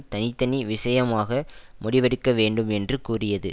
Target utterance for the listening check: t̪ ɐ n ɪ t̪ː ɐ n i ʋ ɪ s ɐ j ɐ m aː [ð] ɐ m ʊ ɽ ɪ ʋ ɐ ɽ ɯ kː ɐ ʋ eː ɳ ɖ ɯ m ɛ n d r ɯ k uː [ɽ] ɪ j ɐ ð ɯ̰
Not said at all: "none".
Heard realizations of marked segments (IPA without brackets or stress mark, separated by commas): ɣ, r